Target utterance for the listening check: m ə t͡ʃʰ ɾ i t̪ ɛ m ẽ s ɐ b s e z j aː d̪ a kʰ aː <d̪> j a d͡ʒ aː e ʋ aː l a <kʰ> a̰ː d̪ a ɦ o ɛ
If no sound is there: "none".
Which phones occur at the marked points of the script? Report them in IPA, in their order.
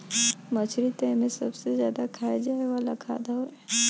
none, kʰ

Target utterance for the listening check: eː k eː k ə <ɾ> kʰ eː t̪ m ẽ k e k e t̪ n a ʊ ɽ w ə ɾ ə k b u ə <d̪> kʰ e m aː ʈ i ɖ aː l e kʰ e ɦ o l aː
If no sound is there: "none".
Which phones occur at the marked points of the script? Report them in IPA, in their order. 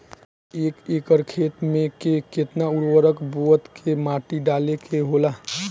ɾ, t̪

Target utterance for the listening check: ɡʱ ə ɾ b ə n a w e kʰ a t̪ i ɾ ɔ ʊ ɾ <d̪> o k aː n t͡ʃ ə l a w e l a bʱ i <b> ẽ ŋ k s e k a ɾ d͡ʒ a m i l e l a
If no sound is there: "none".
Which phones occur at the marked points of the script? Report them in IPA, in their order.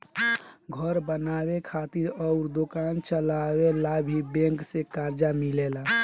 d̪, b

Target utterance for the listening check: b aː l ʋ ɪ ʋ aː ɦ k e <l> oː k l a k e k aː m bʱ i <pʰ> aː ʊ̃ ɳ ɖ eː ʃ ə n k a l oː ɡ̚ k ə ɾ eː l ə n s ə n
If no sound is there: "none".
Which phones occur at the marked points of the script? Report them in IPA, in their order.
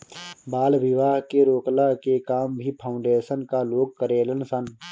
ɾ, pʰ

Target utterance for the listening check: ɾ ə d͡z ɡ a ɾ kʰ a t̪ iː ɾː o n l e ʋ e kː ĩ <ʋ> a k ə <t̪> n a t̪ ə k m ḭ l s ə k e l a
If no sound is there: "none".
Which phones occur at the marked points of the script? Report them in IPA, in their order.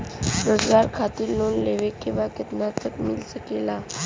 ʋ, t̪

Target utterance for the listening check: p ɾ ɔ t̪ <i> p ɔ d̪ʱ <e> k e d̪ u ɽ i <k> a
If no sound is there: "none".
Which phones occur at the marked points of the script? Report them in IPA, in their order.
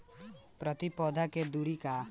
i, a, k

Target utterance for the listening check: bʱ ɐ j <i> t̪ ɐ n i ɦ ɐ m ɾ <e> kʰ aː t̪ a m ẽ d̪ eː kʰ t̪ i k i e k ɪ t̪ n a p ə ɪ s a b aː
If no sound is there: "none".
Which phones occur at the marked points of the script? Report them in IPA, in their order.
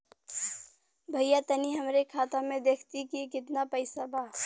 a, e

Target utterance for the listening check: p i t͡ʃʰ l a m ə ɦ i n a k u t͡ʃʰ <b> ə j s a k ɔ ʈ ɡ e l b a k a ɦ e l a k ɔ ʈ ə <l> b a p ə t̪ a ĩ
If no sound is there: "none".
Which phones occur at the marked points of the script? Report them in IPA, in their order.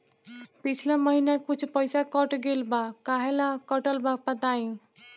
p, l

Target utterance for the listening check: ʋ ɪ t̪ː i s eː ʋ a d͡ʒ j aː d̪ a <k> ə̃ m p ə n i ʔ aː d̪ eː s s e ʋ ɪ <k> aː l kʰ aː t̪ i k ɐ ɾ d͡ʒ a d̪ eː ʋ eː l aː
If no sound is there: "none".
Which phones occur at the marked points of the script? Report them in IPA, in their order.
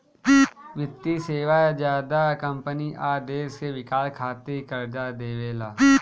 k, k

